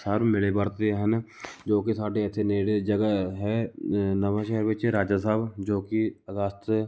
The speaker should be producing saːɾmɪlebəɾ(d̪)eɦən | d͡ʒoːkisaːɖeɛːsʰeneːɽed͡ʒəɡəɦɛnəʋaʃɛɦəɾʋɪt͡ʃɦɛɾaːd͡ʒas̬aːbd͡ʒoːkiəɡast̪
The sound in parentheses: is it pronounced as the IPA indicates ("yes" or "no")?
no